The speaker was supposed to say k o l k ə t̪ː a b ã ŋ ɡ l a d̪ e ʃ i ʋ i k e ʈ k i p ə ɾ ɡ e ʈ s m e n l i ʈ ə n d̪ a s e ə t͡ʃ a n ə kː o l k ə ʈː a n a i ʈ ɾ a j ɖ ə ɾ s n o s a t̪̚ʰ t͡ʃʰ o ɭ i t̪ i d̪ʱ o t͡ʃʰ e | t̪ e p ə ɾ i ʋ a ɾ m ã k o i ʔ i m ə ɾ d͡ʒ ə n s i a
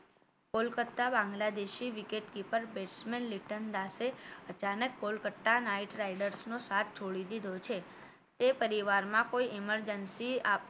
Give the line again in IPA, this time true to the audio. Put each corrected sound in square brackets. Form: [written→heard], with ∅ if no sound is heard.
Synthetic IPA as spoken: k o l k ə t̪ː a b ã ŋ ɡ l a d̪ e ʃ i ʋ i k e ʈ k i p ə ɾ [ɡ→b] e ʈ s m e n l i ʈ ə n d̪ a s e ə t͡ʃ a n ə kː o l k ə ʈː a n a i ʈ ɾ a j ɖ ə ɾ s n o s a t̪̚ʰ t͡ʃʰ o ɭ i [t̪→d̪] i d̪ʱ o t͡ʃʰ e | t̪ e p ə ɾ i ʋ a ɾ m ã k o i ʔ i m ə ɾ d͡ʒ ə n s i a